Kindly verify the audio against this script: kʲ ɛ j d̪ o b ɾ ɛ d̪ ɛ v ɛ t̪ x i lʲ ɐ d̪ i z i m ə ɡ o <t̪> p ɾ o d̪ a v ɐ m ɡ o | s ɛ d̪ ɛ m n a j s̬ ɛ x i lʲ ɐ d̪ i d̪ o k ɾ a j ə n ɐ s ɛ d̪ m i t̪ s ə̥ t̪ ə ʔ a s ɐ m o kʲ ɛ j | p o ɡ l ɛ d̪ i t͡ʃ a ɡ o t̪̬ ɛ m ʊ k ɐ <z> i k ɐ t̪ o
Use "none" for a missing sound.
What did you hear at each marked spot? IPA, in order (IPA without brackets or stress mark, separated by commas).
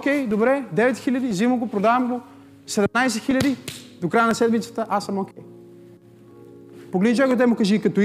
none, ʒ